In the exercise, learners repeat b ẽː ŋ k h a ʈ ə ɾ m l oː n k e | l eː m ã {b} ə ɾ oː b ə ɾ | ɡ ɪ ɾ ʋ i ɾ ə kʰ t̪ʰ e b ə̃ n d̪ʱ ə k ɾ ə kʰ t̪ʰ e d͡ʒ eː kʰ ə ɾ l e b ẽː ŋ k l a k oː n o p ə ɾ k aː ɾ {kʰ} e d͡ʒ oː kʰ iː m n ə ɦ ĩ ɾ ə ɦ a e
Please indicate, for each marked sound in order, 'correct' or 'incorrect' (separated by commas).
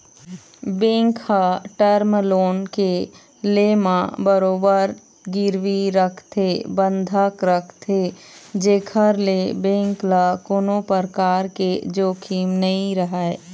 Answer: correct, incorrect